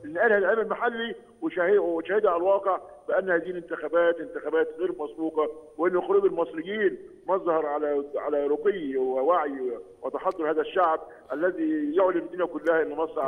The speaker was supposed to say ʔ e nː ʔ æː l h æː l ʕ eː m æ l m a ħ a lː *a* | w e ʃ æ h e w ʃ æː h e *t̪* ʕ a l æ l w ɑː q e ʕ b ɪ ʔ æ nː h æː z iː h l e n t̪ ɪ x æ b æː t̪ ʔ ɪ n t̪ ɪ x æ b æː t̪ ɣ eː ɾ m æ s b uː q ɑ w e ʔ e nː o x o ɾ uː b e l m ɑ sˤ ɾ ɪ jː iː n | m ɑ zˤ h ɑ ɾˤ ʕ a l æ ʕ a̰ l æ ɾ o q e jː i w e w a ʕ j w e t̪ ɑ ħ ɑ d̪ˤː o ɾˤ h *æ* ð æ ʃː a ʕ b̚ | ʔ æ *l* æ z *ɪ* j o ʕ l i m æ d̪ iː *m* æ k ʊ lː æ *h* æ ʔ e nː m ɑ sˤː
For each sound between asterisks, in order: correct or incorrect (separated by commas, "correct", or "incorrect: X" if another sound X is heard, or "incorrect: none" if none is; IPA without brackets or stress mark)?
incorrect: i, incorrect: d̪, incorrect: æː, incorrect: lː, incorrect: i, incorrect: n, correct